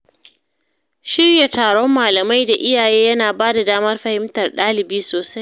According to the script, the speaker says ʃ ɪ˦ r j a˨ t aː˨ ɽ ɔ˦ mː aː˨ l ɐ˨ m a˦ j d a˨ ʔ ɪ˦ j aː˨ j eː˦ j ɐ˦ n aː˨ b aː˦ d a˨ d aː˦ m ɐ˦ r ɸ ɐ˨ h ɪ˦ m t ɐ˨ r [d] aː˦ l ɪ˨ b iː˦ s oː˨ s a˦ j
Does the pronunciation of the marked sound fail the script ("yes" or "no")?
yes